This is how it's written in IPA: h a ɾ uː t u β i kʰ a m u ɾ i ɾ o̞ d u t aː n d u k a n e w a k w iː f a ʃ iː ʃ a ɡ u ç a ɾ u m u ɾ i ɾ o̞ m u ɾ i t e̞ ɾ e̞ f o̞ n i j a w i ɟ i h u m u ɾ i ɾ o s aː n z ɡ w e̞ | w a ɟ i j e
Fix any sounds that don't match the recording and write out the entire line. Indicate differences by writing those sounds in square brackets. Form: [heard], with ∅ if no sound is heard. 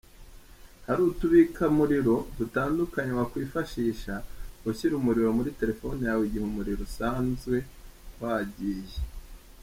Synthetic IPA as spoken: h a ɾ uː t u β i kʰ a m u ɾ i ɾ o̞ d u t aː n d u k a [ɲ] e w a k w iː f a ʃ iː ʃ a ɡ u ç [i] ɾ u m u ɾ i ɾ o̞ m u ɾ i t e̞ ɾ e̞ f o̞ n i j a w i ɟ i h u m u ɾ i ɾ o s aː n z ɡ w e̞ | w a ɟ i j e